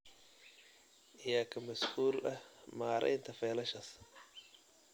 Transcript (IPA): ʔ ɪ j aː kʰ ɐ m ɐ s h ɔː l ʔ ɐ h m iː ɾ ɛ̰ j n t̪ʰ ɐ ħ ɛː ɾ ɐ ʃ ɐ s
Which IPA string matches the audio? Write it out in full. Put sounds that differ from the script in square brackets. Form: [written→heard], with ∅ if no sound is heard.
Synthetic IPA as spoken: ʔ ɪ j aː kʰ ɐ m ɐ s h [ɔː→uː] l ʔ ɐ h m [iː→aː] ɾ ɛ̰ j n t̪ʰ ɐ [ħ→f] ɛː [ɾ→l] ɐ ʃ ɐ s